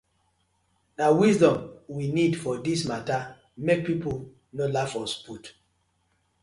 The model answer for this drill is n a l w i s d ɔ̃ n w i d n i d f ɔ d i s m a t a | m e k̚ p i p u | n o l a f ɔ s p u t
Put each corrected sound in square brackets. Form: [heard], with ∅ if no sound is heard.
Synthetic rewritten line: n a [∅] w i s d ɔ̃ [m] w i [∅] n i d f ɔ d i s m a t a | m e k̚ p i p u | n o l a f ɔ s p u t

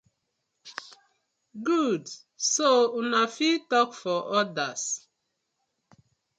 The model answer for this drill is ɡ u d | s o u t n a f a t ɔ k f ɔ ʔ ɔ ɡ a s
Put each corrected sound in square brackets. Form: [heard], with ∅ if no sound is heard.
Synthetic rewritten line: ɡ u d | s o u [∅] n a f [i] t ɔ k f ɔ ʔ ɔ [d] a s

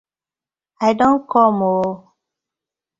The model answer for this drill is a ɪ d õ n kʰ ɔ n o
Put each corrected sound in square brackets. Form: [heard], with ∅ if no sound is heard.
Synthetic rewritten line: a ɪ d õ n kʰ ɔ [m] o

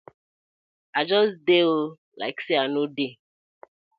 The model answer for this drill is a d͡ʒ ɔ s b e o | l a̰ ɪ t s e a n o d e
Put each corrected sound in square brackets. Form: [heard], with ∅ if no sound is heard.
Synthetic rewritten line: a d͡ʒ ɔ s [d] e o | l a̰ ɪ [k] s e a n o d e

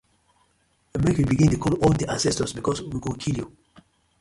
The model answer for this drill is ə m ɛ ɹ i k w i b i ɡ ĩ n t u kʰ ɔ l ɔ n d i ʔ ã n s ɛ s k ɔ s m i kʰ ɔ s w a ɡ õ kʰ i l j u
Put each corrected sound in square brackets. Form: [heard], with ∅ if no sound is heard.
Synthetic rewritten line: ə m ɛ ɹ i k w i b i ɡ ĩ n t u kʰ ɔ l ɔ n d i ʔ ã n s ɛ s [t] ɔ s [b] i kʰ ɔ s w [i] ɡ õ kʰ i l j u

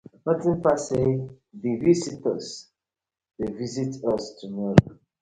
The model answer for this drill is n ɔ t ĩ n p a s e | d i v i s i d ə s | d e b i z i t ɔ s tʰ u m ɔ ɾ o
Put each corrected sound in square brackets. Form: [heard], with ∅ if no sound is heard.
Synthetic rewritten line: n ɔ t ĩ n p a s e | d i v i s i [t] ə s | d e [v] i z i t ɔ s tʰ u m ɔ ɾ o

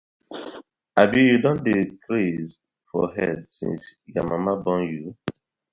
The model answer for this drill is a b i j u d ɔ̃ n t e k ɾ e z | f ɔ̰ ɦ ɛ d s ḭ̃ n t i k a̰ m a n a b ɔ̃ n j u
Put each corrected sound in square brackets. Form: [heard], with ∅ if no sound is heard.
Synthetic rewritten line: a b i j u d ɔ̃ n [d] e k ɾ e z | f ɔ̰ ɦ ɛ d s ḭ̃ n [s] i k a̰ m a [m] a b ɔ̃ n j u

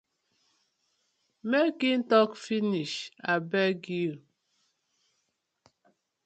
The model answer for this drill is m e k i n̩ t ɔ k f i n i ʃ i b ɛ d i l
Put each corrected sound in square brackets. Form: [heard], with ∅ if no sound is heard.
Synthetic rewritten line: m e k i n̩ t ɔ k f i n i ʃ [a] b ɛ [ɡ] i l

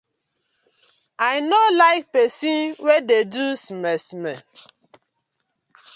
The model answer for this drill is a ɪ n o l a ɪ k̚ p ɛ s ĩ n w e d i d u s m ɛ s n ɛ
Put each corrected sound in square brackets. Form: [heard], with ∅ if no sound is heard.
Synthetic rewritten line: a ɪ n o l a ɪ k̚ p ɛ s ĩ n w e d [e] d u s m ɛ s [m] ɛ

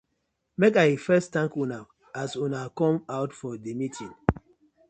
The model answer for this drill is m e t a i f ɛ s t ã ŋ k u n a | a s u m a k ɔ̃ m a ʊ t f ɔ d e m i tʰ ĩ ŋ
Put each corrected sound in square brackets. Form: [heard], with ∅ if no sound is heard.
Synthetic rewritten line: m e [k] a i f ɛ s t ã ŋ k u n a | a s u [n] a k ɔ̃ m a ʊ t f ɔ d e m i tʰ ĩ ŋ

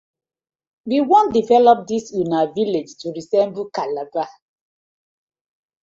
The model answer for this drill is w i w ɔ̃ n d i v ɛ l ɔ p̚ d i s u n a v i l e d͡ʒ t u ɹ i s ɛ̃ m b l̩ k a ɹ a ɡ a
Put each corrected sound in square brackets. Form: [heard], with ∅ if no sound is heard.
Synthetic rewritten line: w i w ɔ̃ n d i v ɛ l ɔ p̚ d i s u n a v i l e d͡ʒ t u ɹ i s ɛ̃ m b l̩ k a [l] a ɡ a

